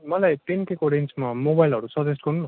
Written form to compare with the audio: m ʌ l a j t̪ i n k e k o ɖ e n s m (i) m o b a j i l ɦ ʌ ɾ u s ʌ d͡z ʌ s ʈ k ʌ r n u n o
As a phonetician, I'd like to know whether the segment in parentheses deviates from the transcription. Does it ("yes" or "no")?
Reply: yes